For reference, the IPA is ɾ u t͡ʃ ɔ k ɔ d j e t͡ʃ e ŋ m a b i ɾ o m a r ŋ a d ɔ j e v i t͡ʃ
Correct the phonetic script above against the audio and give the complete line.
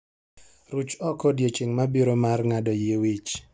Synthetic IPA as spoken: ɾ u t͡ʃ ɔ k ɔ d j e t͡ʃ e ŋ m a b i ɾ o m a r ŋ a d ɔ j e w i t͡ʃ